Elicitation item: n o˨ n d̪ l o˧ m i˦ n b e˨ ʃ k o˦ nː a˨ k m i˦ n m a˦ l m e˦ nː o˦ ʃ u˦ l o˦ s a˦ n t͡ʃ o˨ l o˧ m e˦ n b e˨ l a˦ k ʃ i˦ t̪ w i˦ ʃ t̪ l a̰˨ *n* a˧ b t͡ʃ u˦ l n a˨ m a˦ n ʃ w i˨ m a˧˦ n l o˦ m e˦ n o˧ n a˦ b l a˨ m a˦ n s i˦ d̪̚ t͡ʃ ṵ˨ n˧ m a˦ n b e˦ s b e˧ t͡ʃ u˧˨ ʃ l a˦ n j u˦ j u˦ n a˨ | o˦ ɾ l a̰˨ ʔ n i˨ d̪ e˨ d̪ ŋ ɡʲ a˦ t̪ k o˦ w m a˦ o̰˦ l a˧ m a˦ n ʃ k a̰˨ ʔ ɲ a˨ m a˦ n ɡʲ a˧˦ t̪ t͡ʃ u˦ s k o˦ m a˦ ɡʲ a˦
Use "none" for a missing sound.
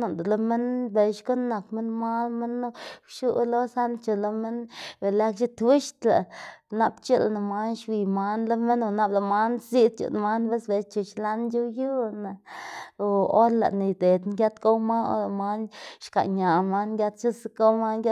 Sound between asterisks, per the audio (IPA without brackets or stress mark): n